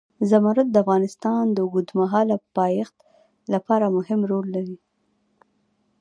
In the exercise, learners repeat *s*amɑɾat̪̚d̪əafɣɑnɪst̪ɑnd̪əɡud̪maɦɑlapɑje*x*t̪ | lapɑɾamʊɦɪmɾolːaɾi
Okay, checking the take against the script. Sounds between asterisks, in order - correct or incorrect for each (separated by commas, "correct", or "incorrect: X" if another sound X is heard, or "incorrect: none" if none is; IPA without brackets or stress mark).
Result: incorrect: z, correct